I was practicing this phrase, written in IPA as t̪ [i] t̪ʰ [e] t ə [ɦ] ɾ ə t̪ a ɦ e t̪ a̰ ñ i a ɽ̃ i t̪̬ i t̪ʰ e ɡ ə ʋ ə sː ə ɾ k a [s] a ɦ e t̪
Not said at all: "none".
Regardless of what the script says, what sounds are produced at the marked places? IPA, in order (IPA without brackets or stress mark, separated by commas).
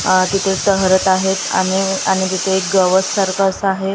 i, e, ɦ, s